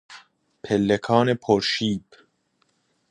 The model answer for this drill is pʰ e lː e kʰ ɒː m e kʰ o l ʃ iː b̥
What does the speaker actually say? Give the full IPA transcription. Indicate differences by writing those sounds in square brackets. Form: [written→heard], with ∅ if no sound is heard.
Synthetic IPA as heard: pʰ e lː e kʰ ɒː [m→n] e [kʰ→pʰ] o [l→ɾ] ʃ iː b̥